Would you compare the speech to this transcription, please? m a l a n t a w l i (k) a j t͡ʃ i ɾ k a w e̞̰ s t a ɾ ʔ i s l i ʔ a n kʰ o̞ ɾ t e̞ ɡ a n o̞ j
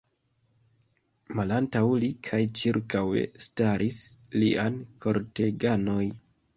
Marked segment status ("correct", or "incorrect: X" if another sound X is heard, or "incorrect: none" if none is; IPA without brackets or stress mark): incorrect: kʰ